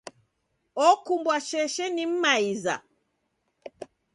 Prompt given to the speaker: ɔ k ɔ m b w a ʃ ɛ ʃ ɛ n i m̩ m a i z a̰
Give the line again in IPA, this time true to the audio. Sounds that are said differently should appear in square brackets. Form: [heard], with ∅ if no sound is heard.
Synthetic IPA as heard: ɔ k [u] m b w a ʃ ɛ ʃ ɛ n i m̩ m a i z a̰